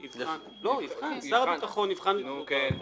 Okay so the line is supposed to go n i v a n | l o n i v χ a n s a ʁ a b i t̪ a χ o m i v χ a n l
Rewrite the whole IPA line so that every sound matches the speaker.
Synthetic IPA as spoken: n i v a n | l o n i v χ a n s a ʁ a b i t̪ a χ o n i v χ a n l

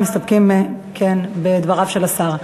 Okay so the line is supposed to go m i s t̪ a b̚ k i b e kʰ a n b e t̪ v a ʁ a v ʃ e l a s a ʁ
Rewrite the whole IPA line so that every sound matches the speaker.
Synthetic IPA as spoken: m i s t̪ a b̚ k i m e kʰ e n b e d̪ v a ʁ a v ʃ e l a s a ʁ

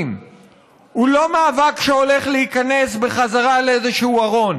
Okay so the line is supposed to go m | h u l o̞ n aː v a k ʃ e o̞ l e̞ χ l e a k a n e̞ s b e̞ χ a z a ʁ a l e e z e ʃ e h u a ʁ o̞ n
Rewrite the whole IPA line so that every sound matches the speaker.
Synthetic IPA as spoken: m | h u l o̞ m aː v a k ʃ e o̞ l e̞ χ l e i k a n e̞ s b e̞ χ a z a ʁ a l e e z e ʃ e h u a ʁ o̞ n

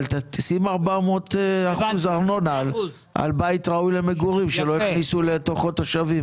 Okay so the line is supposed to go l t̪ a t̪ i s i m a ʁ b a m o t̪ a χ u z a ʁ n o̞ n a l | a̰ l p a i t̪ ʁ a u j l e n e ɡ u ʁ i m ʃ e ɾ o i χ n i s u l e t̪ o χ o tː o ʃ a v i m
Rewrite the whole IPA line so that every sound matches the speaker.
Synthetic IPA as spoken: l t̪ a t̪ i s i m a ʁ b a m o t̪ a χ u z a ʁ n o̞ n a l | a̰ l b a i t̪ ʁ a u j l e m e ɡ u ʁ i m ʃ e l o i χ n i s u l e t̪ o χ o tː o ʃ a v i m

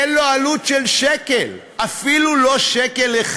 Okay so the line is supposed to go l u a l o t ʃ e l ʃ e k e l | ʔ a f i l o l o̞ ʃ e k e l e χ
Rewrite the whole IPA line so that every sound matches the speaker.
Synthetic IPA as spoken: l o a l u t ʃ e l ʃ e k e l | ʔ a f i l u l o̞ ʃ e k e l e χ

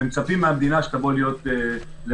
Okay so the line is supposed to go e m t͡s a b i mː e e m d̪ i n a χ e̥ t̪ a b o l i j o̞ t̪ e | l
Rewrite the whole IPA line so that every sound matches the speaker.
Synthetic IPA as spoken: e m t͡s a p i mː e a m d̪ i n a ʃ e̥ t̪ a b o l i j o̞ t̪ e | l

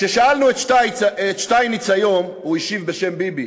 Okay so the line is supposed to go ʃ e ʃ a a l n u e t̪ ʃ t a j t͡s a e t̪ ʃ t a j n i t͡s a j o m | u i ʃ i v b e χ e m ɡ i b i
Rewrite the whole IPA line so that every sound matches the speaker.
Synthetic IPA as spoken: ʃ e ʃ a a l n u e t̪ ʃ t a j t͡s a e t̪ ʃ t a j n i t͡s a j o m | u i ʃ i v b e ʃ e m b i b i

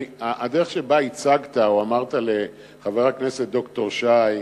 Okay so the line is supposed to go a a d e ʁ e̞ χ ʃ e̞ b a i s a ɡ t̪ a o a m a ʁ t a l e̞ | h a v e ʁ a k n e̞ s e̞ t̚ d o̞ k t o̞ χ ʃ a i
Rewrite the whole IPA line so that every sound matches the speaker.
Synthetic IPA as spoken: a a d e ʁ e̞ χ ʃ e̞ b a i t͡s a ɡ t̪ a o a m a ʁ t a l e̞ | χ a v e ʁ a k n e̞ s e̞ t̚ d o̞ k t o̞ ʁ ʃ a j

